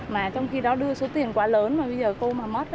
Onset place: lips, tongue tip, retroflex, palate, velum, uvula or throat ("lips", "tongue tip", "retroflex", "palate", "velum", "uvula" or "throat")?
lips